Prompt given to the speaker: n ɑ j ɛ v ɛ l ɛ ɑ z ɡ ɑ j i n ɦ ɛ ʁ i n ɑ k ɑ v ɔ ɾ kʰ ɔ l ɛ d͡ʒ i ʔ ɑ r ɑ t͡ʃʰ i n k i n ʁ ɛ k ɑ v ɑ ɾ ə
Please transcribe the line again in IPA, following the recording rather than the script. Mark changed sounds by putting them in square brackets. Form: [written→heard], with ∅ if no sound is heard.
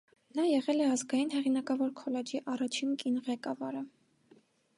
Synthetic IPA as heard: n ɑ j ɛ [v→ʁ] ɛ l ɛ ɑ z ɡ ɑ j i n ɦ ɛ ʁ i n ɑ k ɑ v ɔ ɾ kʰ ɔ l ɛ d͡ʒ i ʔ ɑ r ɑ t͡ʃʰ i n k i n ʁ ɛ k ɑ v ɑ ɾ ə